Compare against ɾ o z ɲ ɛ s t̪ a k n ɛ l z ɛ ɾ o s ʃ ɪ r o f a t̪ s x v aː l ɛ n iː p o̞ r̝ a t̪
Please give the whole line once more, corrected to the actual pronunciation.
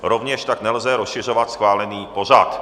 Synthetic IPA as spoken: ɾ o v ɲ ɛ ʃ t̪ a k n ɛ l z ɛ ɾ o s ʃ ɪ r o v a t̪ s x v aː l ɛ n iː p o̞ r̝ a t̪